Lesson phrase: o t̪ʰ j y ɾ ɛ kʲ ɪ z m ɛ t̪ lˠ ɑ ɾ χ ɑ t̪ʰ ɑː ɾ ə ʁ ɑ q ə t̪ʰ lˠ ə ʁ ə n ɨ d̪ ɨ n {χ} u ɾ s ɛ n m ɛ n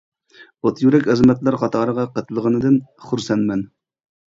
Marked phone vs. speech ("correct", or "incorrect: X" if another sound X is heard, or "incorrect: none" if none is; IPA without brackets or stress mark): correct